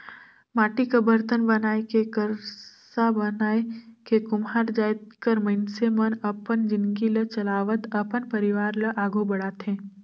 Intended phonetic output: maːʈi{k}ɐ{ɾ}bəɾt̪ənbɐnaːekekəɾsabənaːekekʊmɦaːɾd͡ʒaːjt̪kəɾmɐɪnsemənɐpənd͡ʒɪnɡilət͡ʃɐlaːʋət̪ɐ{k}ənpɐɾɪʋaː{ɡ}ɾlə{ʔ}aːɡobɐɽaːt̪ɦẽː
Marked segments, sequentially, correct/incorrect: correct, incorrect: none, incorrect: p, incorrect: none, correct

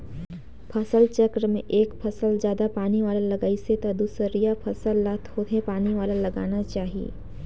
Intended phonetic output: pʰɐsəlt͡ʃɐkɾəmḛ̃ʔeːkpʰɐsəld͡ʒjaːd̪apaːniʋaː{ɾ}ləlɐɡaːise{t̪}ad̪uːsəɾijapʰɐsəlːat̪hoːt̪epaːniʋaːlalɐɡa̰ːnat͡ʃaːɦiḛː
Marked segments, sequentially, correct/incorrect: incorrect: none, correct

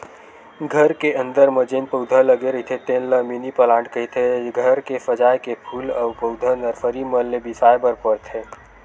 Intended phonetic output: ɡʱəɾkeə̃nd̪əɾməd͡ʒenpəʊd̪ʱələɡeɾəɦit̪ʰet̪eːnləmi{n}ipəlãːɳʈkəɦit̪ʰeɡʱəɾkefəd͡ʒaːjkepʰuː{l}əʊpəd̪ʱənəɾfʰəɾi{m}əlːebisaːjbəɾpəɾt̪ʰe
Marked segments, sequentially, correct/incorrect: correct, correct, correct

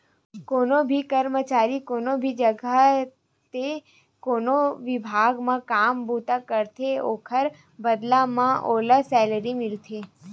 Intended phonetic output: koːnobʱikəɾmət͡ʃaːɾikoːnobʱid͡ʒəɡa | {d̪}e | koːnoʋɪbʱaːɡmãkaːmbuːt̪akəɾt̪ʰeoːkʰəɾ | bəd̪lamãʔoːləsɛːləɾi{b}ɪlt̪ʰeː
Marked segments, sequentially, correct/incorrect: incorrect: t̪, incorrect: m

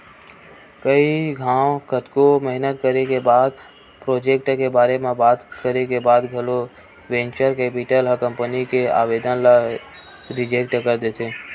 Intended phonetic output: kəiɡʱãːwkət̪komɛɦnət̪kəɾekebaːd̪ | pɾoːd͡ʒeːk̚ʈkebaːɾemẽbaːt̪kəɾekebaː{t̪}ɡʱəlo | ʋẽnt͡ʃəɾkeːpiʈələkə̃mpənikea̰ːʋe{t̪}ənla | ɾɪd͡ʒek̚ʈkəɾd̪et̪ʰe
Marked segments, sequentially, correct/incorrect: incorrect: d̪, incorrect: d̪

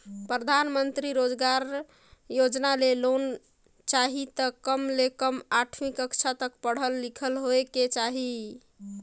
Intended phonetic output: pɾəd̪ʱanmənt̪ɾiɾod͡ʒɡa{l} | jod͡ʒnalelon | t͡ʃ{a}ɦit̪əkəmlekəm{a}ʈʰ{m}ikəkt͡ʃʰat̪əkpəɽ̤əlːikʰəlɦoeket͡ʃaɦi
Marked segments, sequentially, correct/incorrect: incorrect: ɾ, correct, correct, correct

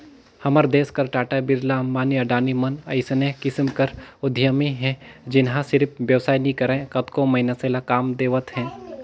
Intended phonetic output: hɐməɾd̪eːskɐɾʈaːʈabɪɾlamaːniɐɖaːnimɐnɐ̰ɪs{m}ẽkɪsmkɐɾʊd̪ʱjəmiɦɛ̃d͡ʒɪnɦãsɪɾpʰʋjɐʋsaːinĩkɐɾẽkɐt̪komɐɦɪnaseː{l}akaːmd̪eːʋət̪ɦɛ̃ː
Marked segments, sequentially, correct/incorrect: incorrect: n, correct

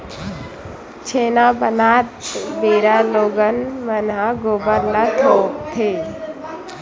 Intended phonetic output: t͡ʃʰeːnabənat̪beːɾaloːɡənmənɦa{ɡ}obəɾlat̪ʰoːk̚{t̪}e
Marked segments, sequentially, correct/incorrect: correct, incorrect: t̪ʰ

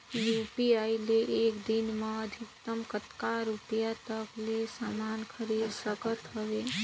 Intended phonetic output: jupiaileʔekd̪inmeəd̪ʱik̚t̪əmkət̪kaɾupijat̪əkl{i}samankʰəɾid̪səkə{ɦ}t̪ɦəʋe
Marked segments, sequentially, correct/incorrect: incorrect: e, incorrect: none

